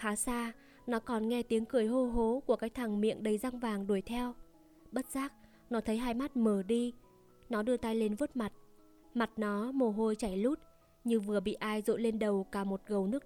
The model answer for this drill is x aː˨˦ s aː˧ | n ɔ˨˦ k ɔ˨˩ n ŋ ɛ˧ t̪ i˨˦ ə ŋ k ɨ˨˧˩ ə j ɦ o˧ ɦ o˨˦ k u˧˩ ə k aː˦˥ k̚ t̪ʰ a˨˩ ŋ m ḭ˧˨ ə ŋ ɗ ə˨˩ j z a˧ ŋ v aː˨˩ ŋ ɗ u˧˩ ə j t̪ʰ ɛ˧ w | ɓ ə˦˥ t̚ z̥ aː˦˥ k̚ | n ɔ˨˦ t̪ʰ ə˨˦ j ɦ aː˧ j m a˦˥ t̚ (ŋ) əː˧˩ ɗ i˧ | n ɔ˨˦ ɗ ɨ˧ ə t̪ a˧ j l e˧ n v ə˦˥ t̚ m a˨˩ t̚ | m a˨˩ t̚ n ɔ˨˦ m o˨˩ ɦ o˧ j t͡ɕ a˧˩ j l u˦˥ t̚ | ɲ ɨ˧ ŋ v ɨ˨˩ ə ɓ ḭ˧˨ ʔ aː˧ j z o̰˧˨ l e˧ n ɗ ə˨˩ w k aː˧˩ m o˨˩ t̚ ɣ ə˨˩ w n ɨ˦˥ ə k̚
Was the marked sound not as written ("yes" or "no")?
yes